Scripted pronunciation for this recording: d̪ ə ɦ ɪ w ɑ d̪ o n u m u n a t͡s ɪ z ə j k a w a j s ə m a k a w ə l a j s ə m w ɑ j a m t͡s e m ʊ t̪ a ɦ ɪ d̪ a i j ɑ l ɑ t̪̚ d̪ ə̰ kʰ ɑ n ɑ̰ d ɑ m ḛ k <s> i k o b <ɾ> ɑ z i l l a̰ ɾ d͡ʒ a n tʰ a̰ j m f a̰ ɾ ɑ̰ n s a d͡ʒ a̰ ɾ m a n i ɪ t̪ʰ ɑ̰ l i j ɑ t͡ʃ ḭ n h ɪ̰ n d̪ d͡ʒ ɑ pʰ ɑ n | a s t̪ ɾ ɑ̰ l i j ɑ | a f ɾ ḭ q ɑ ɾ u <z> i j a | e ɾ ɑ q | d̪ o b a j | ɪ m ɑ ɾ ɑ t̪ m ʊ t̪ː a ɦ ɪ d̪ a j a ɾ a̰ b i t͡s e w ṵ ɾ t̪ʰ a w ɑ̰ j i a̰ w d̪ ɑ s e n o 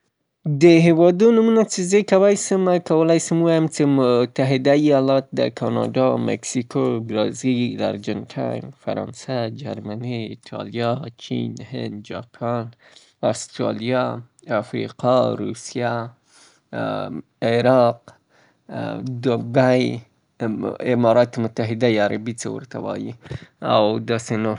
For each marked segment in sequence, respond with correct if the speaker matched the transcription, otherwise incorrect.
correct, correct, incorrect: s

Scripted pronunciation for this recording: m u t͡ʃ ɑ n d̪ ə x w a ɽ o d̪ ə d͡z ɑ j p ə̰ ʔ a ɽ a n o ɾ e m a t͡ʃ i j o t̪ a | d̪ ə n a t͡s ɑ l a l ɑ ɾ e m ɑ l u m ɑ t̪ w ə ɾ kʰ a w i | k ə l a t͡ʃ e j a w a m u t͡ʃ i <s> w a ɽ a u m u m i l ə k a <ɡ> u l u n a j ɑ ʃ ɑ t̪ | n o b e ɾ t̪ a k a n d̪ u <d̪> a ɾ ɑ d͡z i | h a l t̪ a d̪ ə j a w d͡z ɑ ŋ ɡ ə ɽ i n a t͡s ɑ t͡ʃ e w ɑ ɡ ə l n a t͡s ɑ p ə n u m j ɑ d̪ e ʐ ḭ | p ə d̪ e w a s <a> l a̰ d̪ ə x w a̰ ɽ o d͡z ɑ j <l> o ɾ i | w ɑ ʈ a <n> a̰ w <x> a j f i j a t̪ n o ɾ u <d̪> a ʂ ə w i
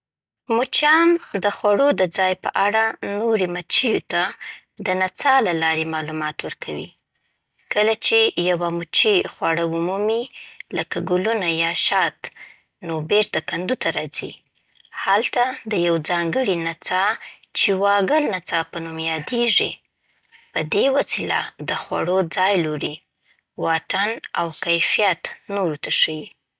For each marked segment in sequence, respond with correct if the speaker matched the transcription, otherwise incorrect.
incorrect: x, correct, incorrect: t̪, incorrect: i, correct, correct, incorrect: k, incorrect: t̪

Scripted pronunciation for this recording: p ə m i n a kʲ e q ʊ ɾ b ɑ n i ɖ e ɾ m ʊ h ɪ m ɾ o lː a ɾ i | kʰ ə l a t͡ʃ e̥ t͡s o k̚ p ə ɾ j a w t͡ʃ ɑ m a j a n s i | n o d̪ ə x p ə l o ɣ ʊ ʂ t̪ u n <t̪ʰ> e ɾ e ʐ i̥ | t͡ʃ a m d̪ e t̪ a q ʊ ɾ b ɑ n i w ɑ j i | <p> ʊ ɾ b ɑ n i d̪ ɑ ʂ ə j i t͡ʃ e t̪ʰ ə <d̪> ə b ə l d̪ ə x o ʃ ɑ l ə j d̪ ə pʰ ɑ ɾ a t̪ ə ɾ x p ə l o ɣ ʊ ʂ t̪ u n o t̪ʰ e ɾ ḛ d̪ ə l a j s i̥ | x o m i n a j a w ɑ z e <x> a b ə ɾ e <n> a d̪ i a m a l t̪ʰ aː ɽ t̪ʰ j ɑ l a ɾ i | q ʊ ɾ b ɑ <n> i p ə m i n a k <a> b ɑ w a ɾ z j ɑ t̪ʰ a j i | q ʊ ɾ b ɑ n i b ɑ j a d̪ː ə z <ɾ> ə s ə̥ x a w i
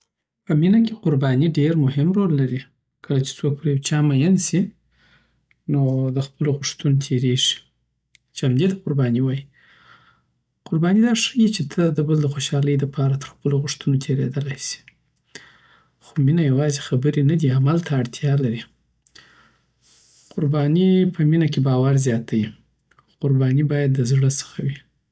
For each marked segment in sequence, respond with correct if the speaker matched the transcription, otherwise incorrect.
correct, incorrect: q, correct, correct, correct, correct, incorrect: e, incorrect: ɽ

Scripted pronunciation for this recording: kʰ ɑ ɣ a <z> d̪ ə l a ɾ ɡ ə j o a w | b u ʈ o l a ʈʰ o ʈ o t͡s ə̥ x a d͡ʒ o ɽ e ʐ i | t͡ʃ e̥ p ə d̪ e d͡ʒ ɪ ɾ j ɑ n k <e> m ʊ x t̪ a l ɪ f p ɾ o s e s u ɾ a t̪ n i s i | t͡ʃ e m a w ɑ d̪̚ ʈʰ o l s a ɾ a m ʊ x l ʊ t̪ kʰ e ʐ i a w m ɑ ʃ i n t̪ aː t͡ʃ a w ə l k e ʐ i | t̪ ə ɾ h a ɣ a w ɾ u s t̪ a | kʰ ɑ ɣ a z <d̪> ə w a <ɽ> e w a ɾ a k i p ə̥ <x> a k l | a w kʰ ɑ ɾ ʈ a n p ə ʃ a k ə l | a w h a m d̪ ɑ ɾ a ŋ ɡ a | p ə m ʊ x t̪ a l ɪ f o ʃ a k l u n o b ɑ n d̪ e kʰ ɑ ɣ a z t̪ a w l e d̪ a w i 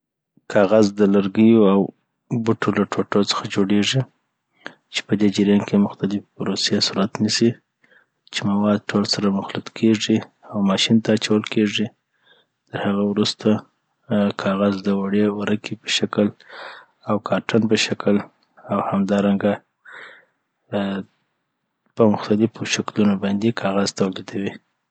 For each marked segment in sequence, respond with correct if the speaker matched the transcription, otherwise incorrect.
correct, correct, correct, correct, incorrect: ʃ

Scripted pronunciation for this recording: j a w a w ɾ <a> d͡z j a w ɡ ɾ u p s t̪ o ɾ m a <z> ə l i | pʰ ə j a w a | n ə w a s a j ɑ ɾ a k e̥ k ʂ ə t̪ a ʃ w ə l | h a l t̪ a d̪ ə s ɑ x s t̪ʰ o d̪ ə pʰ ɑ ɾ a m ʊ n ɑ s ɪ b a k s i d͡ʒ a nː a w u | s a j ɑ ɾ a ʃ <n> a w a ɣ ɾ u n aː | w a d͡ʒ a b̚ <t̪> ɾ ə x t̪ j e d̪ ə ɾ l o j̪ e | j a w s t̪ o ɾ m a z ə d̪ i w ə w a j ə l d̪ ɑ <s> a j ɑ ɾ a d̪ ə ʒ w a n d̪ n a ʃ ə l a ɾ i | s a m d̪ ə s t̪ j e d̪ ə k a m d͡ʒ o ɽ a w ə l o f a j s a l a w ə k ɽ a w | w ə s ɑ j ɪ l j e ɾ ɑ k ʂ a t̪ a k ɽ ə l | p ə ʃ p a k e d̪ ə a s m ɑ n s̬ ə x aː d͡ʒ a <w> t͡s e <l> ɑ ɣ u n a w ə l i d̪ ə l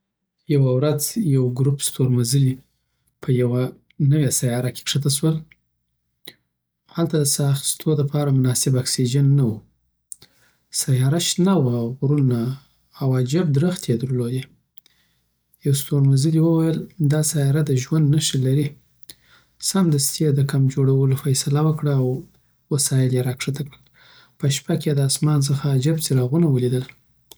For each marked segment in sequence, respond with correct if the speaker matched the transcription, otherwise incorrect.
correct, correct, correct, incorrect: d̪, correct, incorrect: b, incorrect: ɾ

